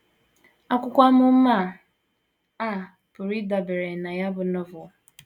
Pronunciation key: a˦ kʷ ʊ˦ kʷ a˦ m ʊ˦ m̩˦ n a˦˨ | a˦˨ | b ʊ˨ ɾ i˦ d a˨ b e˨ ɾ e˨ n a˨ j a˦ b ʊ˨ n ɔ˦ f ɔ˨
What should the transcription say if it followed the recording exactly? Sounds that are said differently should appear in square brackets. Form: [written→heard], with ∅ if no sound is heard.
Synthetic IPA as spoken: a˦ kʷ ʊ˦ kʷ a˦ m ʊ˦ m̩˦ [n→m] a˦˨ | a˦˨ | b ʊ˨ ɾ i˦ d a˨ b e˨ ɾ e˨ n a˨ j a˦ b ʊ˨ n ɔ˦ [f→v] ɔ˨